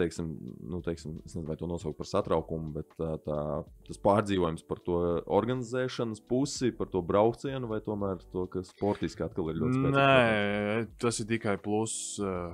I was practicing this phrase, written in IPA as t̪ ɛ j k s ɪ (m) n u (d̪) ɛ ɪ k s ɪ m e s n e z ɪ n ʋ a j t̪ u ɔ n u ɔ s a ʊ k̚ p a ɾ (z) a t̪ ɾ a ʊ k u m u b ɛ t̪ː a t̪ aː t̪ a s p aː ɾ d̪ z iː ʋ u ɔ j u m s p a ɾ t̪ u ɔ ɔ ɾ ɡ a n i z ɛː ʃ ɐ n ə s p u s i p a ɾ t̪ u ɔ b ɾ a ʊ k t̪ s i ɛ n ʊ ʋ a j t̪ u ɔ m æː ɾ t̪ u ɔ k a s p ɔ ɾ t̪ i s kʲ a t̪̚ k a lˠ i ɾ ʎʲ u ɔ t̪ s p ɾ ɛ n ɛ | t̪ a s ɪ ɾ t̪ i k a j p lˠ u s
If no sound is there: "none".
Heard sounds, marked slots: m, t̪, s

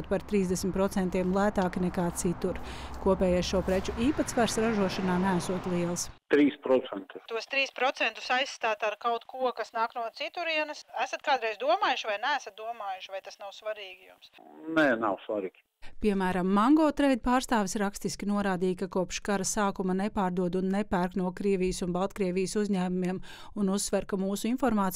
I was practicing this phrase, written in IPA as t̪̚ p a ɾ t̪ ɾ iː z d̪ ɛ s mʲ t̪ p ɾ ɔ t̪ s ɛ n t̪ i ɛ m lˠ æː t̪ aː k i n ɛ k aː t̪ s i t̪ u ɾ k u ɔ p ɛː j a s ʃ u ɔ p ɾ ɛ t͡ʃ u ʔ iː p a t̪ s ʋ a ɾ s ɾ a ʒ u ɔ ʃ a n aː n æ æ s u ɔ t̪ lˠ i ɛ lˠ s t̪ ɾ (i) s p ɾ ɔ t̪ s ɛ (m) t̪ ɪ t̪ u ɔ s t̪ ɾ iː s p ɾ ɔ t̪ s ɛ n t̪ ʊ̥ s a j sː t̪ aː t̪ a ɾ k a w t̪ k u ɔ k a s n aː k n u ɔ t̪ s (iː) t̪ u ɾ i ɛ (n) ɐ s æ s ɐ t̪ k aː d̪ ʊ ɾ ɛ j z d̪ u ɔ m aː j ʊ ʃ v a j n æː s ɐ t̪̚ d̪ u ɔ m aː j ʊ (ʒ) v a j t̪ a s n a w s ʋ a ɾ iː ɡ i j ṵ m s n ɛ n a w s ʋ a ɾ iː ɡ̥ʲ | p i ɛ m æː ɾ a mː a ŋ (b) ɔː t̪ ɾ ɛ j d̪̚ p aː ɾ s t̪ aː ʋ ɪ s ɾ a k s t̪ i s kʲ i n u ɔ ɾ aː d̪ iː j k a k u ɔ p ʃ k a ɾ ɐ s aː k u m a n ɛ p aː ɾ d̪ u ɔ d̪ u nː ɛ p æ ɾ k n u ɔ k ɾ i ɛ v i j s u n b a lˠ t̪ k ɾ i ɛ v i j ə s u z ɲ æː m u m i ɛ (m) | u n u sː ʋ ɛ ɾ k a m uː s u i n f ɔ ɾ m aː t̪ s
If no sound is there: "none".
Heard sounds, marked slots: iː, n, i, n, ʃ, ɡ, m

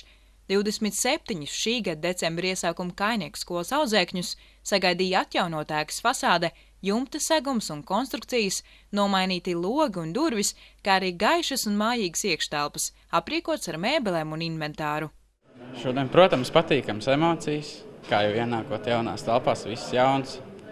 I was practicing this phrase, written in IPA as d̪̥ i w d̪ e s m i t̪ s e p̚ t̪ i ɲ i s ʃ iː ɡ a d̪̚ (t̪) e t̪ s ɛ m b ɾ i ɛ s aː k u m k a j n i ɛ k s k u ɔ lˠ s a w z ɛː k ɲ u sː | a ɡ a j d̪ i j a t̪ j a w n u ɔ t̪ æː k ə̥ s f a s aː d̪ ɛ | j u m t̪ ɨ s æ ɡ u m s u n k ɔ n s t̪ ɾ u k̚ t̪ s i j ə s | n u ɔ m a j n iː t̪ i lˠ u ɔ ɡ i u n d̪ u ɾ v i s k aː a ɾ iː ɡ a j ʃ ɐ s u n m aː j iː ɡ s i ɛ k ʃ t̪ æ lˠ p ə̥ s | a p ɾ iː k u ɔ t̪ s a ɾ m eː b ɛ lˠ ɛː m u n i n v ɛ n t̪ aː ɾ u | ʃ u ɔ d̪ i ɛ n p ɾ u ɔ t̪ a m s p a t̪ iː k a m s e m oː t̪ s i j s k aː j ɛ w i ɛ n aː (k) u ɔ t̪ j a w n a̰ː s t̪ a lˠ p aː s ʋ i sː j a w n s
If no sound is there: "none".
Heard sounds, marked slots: d̪, k

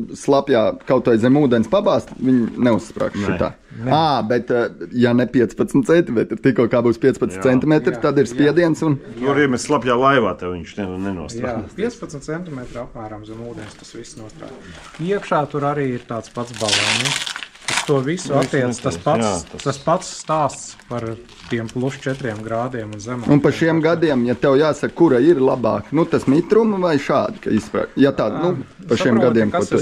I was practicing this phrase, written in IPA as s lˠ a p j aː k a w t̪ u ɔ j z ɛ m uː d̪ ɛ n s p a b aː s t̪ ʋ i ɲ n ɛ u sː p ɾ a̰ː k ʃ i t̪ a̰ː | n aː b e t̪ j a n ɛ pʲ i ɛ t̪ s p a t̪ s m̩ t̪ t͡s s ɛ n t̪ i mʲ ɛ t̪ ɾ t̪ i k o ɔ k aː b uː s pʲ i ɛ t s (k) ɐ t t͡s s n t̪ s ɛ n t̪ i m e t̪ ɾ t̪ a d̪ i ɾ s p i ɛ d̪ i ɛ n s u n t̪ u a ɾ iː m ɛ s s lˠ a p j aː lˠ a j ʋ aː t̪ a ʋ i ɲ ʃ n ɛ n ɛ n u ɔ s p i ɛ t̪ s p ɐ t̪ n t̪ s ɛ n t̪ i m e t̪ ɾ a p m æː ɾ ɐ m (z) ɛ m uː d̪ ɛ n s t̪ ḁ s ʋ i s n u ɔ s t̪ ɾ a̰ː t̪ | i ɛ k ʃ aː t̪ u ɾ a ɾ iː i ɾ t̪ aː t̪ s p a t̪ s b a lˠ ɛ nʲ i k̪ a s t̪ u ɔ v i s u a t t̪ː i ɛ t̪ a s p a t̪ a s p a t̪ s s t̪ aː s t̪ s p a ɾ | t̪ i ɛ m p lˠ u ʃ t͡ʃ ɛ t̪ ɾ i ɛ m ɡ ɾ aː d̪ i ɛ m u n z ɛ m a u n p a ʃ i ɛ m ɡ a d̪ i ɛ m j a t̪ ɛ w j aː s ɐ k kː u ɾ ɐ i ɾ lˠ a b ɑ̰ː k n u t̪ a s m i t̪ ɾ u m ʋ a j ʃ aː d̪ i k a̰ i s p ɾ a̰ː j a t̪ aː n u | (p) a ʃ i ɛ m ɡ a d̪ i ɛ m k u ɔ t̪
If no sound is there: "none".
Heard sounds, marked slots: p, z, p

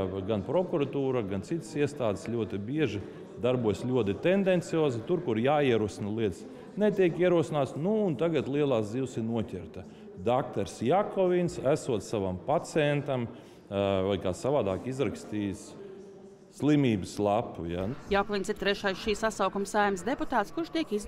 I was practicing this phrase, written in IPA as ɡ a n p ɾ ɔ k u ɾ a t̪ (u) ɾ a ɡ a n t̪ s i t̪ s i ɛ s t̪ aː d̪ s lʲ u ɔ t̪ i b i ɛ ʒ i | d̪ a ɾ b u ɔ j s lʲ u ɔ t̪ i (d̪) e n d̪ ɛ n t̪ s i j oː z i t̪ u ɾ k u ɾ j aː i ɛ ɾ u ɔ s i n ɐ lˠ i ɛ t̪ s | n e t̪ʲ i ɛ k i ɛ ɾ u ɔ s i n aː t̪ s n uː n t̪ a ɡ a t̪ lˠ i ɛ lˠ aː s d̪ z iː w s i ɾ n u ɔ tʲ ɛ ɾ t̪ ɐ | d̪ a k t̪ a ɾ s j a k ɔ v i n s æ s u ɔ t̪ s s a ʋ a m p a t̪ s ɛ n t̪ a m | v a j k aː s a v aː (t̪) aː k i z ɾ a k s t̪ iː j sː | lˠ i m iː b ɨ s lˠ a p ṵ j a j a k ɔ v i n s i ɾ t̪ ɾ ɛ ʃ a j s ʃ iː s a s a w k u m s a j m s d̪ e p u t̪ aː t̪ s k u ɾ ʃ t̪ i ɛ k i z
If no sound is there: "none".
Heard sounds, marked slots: uː, t̪, d̪

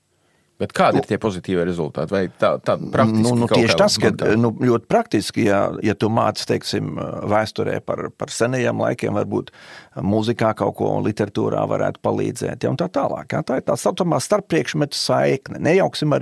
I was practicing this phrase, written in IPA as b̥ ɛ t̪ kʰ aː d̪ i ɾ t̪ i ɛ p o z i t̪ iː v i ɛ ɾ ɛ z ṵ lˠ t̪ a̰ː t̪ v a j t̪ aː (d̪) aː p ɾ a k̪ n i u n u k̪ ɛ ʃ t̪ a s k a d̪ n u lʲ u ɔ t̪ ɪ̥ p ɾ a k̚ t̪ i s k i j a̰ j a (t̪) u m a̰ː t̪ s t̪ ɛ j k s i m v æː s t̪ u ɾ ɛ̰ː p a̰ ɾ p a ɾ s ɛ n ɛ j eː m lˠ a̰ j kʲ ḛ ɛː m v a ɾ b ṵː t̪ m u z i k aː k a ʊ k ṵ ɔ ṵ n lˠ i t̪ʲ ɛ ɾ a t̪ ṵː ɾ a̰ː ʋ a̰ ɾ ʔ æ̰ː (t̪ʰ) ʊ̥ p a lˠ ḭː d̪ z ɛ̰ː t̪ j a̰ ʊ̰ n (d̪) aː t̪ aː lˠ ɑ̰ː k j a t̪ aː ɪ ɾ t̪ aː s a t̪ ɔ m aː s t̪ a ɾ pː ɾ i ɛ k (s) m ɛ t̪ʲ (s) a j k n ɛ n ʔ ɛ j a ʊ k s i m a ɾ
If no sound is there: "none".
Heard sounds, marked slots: t̪, t̪, t̪, t̪, ʃ, s

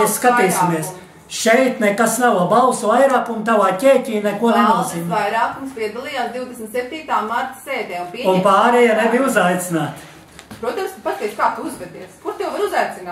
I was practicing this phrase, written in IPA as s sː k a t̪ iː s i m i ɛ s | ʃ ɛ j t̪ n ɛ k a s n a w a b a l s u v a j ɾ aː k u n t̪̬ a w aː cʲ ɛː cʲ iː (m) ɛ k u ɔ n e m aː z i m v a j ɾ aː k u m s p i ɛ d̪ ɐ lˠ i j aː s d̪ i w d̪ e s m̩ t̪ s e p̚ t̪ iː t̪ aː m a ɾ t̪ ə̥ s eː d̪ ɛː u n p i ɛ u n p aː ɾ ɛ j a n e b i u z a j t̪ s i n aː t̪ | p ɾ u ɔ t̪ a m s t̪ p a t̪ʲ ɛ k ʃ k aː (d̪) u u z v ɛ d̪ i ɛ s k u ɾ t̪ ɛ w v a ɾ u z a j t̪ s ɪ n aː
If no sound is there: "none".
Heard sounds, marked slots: n, t̪

